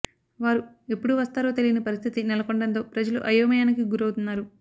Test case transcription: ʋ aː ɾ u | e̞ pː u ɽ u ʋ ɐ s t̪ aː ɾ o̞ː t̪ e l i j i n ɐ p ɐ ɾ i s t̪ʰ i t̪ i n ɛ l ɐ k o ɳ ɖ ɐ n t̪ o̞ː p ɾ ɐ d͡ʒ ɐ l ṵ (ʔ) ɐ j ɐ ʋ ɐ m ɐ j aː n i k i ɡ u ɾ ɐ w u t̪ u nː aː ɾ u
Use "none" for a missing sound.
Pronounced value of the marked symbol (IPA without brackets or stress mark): ʔ